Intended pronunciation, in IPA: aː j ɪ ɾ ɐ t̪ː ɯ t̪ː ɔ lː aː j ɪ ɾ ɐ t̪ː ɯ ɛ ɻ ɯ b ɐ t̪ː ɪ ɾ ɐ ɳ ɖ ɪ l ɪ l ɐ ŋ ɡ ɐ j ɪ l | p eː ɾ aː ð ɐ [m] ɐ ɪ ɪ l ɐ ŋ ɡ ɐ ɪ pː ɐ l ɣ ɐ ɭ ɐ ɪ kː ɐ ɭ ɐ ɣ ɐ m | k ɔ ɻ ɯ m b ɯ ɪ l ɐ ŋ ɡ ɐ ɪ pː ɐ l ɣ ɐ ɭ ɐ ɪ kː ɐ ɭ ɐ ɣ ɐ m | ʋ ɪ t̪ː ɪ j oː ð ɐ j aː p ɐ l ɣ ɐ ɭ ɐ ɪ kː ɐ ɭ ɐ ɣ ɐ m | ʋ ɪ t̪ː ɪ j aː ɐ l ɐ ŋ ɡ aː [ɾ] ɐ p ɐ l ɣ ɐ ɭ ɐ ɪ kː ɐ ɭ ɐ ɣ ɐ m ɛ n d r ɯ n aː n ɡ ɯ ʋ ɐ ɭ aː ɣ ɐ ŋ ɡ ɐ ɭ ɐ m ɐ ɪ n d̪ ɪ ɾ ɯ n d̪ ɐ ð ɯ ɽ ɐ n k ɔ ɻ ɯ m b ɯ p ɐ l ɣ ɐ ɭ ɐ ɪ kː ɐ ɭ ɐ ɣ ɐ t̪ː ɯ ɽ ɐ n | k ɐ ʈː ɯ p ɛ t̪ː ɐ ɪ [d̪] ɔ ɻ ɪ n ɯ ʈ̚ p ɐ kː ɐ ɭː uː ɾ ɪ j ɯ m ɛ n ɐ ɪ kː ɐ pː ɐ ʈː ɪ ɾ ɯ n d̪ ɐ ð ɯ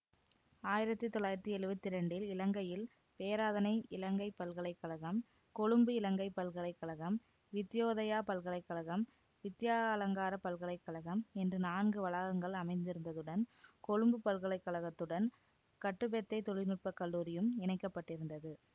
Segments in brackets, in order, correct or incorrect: incorrect: n, correct, incorrect: t̪

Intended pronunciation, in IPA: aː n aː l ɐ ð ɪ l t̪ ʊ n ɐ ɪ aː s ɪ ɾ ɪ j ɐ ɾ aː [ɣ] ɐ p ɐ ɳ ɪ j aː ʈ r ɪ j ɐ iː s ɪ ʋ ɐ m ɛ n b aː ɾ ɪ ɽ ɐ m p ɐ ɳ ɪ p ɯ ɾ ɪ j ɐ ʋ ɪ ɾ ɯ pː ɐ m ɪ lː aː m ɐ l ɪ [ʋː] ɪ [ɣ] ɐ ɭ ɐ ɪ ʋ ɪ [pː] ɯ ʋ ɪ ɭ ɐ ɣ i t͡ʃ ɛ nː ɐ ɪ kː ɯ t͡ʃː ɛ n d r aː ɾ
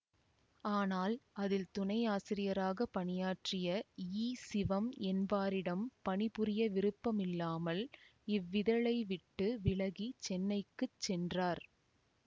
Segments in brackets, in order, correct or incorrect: correct, correct, incorrect: ð, incorrect: ʈː

